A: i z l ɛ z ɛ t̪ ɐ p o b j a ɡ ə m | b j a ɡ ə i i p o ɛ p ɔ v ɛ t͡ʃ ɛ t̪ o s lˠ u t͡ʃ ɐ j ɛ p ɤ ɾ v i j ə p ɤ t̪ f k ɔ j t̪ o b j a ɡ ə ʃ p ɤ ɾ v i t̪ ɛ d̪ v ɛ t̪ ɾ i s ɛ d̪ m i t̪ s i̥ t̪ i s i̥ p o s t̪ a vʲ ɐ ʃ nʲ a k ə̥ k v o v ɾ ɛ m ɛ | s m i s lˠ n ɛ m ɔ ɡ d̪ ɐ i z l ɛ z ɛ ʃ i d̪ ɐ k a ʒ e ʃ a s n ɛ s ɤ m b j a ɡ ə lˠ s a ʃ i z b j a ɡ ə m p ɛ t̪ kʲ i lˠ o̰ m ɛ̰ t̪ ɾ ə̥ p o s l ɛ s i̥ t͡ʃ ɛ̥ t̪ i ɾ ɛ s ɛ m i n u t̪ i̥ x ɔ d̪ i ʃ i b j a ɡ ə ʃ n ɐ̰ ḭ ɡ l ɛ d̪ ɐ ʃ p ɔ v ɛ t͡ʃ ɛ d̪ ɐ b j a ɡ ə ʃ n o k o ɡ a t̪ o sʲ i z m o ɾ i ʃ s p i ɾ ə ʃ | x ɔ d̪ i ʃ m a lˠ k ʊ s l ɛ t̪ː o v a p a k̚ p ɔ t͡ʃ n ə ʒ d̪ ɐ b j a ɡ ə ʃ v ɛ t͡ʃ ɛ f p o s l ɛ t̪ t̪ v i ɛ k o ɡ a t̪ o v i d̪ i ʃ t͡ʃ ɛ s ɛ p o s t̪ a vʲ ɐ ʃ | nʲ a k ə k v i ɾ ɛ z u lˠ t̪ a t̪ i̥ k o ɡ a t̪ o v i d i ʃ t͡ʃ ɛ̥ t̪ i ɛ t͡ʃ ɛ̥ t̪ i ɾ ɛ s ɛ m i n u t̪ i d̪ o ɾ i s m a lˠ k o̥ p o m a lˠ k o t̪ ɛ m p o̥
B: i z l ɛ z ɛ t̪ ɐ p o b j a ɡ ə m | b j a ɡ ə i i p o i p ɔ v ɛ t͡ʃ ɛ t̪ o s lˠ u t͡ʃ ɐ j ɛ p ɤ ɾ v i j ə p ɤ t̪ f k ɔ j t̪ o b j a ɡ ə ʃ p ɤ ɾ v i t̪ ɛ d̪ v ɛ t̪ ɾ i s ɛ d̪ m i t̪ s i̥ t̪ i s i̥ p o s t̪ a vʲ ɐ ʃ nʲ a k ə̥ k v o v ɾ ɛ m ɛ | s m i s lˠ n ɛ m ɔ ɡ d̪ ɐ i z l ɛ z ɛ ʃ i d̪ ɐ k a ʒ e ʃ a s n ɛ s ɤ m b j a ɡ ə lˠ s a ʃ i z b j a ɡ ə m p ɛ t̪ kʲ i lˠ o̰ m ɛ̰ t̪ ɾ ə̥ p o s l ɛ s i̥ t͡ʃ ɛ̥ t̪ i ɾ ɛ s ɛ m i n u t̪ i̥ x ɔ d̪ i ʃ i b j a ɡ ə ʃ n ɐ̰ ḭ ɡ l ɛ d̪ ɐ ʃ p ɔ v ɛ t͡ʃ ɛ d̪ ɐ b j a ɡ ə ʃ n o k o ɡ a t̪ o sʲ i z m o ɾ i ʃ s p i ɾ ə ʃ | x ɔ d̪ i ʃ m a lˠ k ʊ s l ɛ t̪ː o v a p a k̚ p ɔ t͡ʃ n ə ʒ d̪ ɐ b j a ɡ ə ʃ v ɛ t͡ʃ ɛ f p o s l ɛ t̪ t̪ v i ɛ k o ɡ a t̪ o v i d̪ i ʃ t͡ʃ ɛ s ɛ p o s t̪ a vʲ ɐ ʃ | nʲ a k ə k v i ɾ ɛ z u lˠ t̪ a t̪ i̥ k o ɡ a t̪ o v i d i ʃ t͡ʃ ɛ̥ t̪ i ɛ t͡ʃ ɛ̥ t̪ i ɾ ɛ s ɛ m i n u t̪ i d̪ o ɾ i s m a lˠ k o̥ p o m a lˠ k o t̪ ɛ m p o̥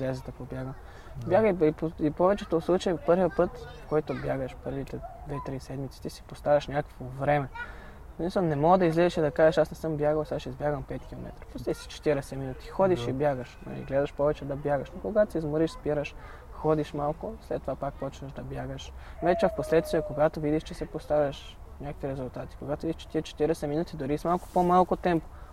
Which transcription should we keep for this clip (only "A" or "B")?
B